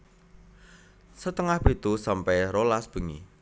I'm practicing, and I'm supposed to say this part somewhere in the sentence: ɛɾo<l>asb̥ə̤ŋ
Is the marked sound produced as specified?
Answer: yes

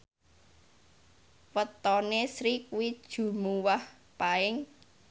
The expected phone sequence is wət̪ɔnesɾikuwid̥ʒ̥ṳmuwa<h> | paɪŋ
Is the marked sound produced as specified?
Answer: yes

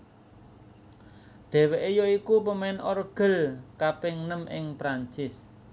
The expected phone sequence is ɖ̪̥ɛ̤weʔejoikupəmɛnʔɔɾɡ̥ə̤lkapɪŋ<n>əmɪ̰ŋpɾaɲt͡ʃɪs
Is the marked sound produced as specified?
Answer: yes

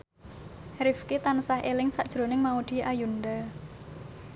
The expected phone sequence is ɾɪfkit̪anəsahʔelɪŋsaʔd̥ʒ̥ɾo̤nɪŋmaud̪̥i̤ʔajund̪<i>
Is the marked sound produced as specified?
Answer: no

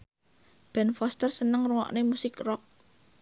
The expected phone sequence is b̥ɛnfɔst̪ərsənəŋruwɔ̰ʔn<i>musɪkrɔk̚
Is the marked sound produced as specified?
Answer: no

